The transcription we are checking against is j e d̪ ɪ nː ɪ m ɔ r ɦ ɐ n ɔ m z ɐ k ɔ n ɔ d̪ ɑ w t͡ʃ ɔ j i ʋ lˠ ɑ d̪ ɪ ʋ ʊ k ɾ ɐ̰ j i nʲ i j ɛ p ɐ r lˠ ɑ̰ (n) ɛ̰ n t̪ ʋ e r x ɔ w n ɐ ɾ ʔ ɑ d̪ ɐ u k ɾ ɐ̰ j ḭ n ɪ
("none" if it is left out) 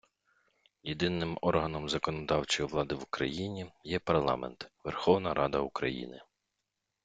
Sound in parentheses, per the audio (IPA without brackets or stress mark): m